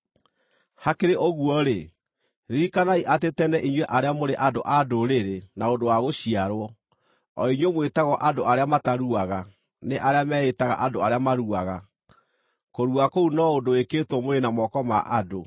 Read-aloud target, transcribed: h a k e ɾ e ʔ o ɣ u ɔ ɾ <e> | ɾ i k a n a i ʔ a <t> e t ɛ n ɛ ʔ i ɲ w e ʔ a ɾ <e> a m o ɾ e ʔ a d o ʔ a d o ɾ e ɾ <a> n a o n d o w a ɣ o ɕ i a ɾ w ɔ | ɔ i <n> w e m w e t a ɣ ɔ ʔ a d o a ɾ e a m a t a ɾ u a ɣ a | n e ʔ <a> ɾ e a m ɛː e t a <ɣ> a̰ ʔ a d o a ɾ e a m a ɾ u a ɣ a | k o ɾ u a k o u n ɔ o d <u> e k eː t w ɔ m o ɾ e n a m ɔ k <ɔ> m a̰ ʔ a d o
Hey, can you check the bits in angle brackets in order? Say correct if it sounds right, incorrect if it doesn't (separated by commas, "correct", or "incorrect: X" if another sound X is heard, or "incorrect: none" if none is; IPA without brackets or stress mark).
correct, correct, correct, incorrect: e, incorrect: ɲ, correct, correct, incorrect: o, correct